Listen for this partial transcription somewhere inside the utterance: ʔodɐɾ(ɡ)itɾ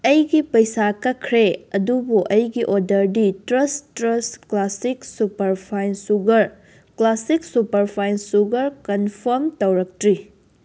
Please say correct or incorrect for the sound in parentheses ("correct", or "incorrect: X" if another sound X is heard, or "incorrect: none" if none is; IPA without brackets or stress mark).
incorrect: d